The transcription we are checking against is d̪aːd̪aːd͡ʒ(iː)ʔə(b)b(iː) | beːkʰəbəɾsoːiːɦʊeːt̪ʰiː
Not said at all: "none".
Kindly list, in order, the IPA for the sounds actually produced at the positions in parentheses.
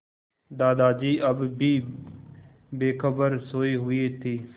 iː, b, iː

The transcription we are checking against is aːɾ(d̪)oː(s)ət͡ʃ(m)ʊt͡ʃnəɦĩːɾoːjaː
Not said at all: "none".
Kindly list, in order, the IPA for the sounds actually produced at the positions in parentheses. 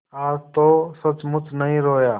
t̪, s, m

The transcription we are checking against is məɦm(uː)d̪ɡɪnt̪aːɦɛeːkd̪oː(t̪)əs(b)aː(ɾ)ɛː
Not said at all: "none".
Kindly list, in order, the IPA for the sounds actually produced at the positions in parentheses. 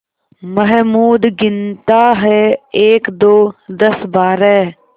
uː, d̪, b, ɾ

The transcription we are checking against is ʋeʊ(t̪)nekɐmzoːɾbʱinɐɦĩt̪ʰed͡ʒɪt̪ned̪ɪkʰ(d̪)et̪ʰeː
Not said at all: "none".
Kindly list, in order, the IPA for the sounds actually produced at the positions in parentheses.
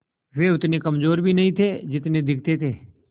t̪, t̪

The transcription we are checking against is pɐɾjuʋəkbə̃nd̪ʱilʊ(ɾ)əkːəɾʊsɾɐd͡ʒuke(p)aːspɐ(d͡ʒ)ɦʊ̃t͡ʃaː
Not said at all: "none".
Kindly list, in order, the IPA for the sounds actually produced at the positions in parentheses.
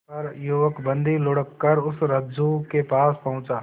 ɽ, p, none

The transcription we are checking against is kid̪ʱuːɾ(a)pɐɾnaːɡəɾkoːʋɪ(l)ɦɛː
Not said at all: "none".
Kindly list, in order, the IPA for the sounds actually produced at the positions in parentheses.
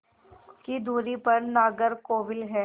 i, l

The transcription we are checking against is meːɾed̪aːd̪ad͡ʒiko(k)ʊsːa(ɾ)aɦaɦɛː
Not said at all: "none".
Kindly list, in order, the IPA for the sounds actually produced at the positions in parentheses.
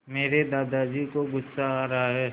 ɡ, ɾ

